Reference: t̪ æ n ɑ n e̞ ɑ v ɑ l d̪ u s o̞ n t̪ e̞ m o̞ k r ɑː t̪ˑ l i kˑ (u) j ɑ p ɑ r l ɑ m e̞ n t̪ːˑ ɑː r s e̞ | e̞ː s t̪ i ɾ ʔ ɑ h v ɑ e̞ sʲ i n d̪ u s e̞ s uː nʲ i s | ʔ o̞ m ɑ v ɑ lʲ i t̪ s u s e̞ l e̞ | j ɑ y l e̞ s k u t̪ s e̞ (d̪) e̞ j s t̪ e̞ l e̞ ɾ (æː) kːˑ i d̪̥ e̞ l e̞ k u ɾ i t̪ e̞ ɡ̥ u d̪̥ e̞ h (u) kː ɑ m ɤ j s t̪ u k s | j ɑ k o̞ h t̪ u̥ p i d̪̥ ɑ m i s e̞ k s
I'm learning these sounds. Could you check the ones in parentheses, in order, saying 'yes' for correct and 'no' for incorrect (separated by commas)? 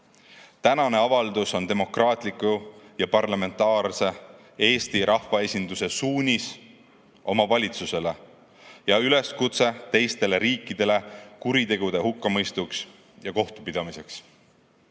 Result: yes, no, no, yes